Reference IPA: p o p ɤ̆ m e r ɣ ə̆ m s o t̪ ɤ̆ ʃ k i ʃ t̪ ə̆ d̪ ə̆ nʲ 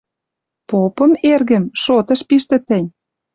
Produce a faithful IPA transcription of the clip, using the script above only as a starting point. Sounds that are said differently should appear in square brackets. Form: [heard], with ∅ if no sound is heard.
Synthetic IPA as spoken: p o p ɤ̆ m e r ɣ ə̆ m [ʃ] o t̪ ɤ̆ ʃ [p] i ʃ t̪ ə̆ [t̪] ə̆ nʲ

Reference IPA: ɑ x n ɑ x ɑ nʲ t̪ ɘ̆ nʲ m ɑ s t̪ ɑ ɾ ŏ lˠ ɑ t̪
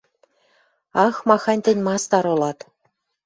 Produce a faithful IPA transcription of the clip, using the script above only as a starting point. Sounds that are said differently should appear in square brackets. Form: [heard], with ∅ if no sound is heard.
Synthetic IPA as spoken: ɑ x [m] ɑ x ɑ nʲ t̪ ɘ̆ nʲ m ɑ s t̪ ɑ ɾ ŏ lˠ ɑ t̪

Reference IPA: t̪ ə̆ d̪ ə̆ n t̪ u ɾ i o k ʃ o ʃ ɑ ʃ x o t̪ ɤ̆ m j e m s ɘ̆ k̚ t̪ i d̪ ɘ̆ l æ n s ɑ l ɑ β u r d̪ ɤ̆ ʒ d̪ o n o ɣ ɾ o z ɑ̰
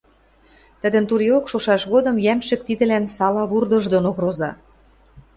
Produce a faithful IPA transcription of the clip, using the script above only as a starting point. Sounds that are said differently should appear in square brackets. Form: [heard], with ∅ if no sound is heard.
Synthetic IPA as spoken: t̪ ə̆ d̪ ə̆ n t̪ u ɾ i o k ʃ o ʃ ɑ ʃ [ɣ] o [d̪] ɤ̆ m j [æ] m [ʃ] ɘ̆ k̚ t̪ i d̪ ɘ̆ l æ n s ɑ l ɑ β u r d̪ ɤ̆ ʒ d̪ o n o ɣ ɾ o z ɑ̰

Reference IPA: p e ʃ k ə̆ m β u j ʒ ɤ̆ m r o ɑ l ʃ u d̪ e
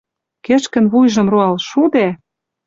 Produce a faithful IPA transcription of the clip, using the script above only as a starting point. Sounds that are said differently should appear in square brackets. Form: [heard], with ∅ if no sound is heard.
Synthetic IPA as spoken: [k] e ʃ k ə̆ [n] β u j ʒ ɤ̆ m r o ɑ l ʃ u d̪ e

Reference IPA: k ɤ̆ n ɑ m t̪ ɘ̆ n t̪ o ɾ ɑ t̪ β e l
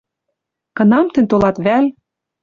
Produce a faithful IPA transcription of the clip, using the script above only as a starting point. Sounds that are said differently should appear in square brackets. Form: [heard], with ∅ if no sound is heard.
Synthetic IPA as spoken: k ɤ̆ n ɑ m t̪ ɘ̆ n t̪ o [l] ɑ t̪ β [æ] l

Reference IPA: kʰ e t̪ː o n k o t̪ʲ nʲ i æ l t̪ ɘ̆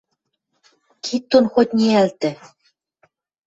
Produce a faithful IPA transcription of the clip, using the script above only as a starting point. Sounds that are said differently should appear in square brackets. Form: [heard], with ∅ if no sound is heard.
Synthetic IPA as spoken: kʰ [i] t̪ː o n [x] o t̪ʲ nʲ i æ l t̪ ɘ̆

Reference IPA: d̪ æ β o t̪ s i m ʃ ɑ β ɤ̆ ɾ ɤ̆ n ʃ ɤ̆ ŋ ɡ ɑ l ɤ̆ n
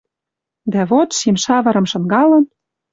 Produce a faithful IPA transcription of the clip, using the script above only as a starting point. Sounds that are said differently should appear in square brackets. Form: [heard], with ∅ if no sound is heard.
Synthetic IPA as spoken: d̪ æ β o t̪ [ʃ] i m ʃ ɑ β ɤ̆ ɾ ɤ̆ [m] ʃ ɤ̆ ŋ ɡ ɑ l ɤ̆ n

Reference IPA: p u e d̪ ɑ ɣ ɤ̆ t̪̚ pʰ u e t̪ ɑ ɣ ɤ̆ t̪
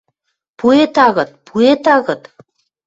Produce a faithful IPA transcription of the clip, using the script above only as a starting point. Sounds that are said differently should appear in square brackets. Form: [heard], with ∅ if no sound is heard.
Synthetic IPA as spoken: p u e [t̪] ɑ ɣ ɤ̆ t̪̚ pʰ u e t̪ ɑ ɣ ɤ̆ t̪

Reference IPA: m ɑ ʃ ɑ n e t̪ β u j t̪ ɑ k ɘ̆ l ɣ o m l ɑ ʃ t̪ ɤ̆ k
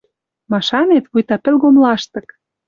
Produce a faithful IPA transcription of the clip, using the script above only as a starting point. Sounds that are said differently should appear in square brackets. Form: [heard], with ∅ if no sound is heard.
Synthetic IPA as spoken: m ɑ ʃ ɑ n e t̪ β u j t̪ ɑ [p] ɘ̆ l ɣ o m l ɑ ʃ t̪ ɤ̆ k

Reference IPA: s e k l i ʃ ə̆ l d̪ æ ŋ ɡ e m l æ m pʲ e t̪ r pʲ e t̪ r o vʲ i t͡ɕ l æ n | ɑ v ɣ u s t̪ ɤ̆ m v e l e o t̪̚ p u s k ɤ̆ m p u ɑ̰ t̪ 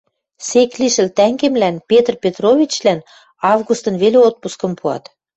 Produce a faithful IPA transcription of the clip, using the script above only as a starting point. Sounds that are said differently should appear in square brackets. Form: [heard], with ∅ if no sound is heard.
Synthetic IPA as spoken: s e k l i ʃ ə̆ l [t̪] æ ŋ ɡ e m l æ [n] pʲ e t̪ r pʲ e t̪ r o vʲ i t͡ɕ l æ n | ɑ v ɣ u s t̪ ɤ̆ [n] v e l e o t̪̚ p u s k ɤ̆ m p u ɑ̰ t̪

